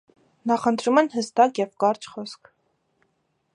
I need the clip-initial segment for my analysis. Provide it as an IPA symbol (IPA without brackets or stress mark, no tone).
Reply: n